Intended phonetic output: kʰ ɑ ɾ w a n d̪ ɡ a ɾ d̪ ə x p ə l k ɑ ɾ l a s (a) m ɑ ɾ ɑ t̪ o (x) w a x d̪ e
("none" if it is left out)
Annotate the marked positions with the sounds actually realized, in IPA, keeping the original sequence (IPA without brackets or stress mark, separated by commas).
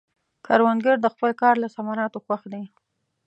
a, x